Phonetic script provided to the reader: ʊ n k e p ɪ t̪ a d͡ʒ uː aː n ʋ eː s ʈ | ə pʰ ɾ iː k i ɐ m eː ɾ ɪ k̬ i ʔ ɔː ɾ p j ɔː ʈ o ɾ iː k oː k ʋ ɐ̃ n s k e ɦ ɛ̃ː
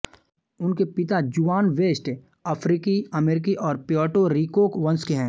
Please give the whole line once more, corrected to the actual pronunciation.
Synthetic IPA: ʊ n k e p ɪ t̪ a d͡ʒ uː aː n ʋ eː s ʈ | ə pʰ ɾ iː k i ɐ m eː ɾ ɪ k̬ i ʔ ɔː ɾ p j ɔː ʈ o ɾ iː k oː k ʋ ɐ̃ n s k e ɦ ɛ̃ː